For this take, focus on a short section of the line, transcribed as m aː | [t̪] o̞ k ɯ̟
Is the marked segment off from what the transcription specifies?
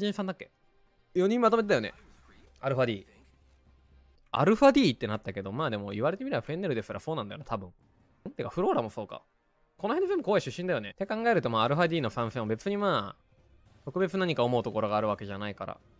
no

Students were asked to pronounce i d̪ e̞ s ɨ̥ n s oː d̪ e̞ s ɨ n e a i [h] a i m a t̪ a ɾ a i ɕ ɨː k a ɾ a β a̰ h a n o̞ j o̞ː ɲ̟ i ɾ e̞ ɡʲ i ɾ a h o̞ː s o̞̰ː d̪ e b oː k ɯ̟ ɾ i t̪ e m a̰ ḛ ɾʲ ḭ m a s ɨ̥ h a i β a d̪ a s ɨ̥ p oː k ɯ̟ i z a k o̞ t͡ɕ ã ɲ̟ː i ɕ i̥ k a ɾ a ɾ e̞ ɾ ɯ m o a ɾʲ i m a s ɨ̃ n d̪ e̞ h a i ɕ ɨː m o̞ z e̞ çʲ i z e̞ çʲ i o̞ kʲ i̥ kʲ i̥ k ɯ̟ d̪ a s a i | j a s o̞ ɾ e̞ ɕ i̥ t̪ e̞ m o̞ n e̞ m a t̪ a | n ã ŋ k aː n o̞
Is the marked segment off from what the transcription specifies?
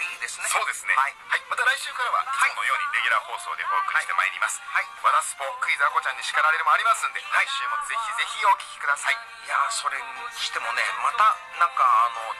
no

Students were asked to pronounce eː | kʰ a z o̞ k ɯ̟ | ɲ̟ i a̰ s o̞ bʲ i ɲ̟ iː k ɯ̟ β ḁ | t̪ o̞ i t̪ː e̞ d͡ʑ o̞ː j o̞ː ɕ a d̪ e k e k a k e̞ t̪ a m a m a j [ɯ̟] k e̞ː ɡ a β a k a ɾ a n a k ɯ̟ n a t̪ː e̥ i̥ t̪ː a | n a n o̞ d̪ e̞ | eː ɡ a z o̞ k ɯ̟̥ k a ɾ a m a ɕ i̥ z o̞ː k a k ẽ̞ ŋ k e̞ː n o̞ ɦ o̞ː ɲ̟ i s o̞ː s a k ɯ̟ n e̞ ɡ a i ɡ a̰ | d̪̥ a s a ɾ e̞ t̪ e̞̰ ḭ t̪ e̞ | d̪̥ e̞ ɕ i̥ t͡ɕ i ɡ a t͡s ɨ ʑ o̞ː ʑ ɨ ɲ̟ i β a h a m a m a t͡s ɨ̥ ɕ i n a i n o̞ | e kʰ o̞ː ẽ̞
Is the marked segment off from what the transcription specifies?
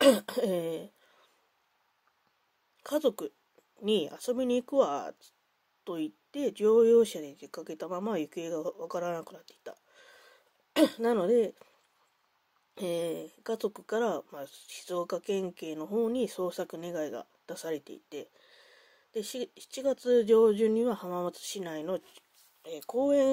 no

